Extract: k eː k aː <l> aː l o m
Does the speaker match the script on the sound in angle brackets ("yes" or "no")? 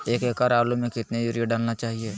no